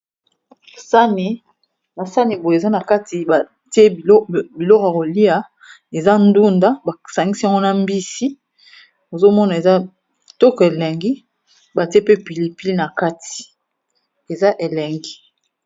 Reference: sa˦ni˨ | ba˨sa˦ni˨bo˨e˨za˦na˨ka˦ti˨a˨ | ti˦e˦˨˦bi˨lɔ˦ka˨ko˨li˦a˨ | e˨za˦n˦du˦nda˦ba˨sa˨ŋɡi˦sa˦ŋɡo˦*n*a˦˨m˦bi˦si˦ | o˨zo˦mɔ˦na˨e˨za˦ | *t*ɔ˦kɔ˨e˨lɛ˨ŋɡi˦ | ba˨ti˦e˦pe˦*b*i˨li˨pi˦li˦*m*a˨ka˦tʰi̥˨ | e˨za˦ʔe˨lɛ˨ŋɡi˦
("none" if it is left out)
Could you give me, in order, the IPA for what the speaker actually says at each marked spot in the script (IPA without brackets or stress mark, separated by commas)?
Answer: n, t, p, n